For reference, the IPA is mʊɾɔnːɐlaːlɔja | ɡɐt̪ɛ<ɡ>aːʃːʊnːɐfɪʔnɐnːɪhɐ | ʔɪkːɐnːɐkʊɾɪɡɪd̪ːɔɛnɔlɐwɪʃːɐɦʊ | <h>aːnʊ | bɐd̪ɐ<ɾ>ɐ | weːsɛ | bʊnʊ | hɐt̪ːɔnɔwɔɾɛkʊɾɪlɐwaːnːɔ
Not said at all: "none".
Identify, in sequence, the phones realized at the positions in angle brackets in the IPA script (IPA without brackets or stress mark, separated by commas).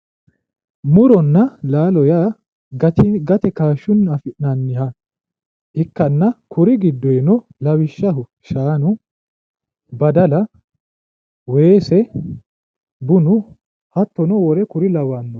k, ʃ, l